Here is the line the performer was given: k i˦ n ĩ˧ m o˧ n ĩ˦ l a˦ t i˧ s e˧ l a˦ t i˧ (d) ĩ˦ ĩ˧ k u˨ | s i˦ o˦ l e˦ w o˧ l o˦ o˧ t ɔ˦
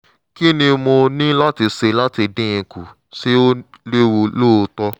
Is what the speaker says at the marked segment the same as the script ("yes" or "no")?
yes